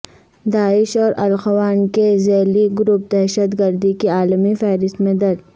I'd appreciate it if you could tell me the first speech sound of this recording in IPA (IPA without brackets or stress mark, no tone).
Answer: d̪